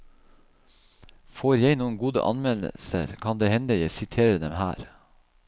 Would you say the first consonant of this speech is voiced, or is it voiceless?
voiceless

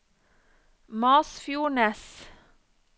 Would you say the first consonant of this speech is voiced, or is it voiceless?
voiced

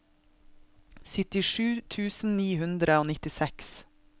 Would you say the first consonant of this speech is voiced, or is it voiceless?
voiceless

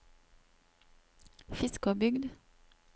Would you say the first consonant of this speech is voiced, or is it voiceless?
voiceless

